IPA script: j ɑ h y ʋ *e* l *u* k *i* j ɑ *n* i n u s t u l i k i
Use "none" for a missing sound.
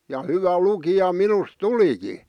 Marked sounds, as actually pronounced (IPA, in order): æ, u, i, m

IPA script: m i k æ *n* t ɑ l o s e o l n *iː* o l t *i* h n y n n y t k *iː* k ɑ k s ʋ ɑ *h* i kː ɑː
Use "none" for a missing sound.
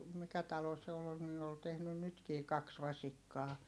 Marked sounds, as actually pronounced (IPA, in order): none, iː, e, iː, s

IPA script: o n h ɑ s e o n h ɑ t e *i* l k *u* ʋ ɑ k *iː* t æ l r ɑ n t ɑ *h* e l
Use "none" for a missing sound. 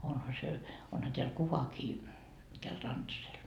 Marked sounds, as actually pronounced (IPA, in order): æ, u, iː, s

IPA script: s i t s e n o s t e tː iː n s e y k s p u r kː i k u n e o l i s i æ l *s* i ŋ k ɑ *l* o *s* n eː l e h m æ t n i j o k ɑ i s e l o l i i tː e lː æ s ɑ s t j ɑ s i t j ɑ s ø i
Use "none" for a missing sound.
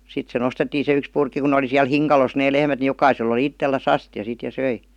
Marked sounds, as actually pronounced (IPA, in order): h, l, s

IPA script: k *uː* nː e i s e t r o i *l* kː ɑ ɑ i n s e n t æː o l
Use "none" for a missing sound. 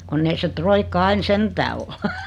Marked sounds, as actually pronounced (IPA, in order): u, none

